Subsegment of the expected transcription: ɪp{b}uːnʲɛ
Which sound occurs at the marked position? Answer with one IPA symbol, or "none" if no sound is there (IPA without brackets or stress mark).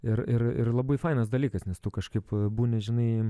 b